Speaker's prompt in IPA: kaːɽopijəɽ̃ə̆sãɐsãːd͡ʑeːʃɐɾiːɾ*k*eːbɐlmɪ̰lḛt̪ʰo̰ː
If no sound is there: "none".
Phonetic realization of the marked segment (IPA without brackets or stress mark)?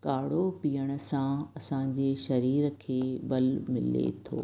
kʰ